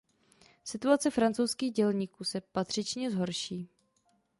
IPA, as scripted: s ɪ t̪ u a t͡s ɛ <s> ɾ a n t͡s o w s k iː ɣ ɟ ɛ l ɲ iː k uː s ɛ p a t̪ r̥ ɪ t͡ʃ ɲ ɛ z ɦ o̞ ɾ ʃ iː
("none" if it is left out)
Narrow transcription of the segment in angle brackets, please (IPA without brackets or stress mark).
f